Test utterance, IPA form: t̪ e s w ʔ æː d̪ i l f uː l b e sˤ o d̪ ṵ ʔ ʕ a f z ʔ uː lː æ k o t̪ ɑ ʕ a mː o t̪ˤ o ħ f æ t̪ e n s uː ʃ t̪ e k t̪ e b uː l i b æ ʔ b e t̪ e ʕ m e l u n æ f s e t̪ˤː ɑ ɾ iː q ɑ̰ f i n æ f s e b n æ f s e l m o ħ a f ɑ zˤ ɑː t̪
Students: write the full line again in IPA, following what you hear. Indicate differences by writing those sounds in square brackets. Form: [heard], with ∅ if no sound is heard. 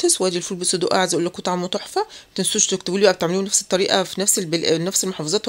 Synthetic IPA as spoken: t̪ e s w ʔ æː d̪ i l f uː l b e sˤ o d̪ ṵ ʔ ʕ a [∅] z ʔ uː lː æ k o t̪ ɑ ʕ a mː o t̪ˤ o ħ f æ t̪ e n s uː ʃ t̪ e k t̪ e b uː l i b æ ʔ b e t̪ e ʕ m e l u n æ f s e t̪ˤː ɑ ɾ iː [ʔ] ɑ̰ f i n æ f s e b n æ f s e l m o ħ [ɑ] f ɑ zˤ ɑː t̪